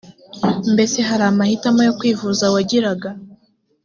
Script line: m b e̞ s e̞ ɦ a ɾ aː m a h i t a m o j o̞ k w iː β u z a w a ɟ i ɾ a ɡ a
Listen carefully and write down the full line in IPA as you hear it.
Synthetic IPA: m b e̞ s e̞ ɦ a ɾ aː m a h i t a m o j o̞ k w iː v u z a w a ɟ i ɾ a ɡ a